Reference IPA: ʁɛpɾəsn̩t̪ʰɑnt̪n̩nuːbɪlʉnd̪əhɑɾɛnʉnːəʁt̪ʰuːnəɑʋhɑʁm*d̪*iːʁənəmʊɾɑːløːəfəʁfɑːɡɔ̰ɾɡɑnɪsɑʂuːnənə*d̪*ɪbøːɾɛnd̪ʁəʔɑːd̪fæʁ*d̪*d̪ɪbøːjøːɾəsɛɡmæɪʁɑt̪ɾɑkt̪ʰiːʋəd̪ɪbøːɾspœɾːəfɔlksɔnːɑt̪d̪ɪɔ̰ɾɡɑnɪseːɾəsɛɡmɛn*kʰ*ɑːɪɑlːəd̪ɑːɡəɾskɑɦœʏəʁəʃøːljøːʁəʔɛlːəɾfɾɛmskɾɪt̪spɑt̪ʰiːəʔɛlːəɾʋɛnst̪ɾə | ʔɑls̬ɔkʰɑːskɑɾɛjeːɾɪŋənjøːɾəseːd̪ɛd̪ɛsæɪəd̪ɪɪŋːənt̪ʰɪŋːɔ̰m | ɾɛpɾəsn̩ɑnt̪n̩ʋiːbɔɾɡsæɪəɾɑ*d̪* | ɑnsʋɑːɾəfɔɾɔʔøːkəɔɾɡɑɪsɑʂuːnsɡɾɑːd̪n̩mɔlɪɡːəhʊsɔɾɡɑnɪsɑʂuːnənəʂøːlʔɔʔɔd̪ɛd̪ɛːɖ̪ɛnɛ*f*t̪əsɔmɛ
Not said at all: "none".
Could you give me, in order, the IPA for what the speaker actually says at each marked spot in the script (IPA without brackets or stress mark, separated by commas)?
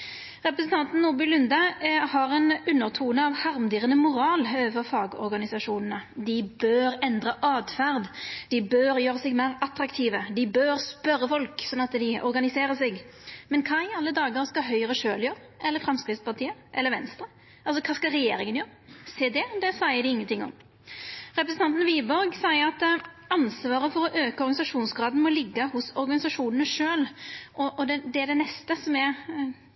d̪, d̪, d̪, kʰ, t̪, s